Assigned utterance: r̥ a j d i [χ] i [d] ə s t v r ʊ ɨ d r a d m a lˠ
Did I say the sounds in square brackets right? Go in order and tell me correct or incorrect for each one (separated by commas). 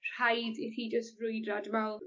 incorrect, incorrect